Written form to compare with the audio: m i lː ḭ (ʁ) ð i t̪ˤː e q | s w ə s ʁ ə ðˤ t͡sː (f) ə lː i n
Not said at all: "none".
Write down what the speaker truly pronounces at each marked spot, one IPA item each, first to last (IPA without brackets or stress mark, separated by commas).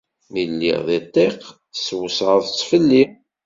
ʁ, f